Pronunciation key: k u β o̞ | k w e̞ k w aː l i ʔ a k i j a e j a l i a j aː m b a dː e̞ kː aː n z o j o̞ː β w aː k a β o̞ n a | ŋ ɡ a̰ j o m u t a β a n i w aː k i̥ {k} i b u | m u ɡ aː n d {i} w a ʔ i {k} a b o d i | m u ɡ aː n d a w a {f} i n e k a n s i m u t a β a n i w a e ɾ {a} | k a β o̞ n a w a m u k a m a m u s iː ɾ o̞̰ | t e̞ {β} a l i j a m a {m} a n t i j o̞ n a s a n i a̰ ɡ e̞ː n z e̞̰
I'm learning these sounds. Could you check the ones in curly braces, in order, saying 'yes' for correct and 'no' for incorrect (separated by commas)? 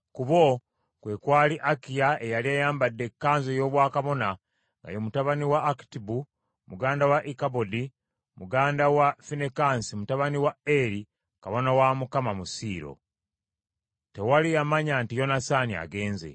no, no, yes, yes, no, no, no